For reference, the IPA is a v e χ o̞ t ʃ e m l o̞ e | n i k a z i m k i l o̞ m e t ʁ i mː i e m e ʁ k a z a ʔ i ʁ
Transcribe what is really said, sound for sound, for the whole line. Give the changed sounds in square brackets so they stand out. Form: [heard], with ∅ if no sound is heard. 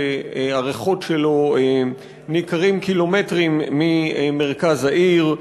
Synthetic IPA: a [ʁ] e χ o̞ t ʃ e [∅] l o̞ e | n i k a [ʁ] i m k i l o̞ m e t ʁ i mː i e m e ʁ k a z a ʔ i ʁ